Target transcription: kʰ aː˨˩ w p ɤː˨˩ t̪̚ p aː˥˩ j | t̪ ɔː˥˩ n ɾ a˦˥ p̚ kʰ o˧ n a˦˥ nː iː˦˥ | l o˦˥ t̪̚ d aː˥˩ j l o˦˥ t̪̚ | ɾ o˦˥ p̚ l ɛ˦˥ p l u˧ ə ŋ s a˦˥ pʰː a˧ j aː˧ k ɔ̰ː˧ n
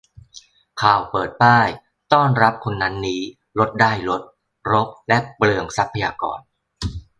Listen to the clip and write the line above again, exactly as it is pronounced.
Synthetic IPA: kʰ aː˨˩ w p ɤː˨˩ t̪̚ p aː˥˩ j | t̪ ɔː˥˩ n ɾ a˦˥ p̚ kʰ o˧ nː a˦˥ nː iː˦˥ | l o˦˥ t̪̚ d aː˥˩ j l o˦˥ t̪̚ | ɾ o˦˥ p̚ l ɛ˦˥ p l ɯ˧ ə ŋ s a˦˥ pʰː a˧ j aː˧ k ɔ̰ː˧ n